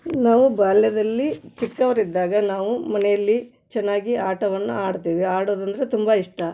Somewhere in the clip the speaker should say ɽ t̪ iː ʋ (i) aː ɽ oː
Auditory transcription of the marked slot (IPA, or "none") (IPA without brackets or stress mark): i